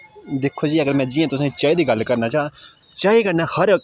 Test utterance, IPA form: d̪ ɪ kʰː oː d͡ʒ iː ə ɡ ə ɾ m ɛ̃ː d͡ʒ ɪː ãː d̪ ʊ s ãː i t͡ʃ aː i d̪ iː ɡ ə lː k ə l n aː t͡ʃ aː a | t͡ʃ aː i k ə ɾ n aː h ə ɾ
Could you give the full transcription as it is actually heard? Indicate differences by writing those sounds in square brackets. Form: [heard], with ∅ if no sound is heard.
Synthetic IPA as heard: d̪ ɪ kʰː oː d͡ʒ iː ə ɡ ə ɾ m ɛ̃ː d͡ʒ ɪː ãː [t̪] ʊ s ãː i t͡ʃ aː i d̪ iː ɡ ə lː k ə [ɾ] n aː t͡ʃ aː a | t͡ʃ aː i k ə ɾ n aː h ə ɾ